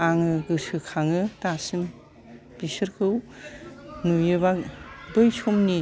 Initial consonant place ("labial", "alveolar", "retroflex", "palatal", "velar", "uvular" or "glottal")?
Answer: velar